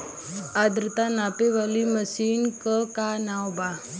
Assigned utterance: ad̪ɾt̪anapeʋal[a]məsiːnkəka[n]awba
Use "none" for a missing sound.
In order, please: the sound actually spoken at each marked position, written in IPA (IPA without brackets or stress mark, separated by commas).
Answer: i, n